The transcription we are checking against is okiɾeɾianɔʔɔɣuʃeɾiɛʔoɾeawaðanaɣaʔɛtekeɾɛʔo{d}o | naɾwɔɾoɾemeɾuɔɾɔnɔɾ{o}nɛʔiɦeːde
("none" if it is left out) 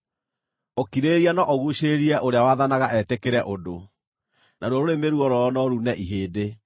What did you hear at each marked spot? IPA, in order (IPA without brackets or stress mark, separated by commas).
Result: d, u